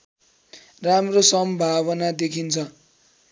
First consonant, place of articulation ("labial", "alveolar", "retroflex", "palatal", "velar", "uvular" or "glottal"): alveolar